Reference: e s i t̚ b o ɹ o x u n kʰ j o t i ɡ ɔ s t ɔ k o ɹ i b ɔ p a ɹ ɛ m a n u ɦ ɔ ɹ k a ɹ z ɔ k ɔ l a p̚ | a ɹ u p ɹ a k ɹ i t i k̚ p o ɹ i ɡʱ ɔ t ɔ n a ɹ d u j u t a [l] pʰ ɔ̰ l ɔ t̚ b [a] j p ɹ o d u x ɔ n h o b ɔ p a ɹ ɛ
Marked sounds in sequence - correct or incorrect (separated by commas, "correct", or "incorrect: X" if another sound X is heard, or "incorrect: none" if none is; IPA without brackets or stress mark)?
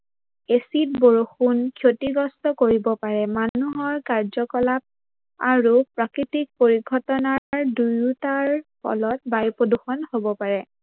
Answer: incorrect: ɹ, correct